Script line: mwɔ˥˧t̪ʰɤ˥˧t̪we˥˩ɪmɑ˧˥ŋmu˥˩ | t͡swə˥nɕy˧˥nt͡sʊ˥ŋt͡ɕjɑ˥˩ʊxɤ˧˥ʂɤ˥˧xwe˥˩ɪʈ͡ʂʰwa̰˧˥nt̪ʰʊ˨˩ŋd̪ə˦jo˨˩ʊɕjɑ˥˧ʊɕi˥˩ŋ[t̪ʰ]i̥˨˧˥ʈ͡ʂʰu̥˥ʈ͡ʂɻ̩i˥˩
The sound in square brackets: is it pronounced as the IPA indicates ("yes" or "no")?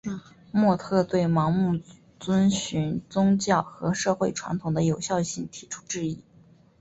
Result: yes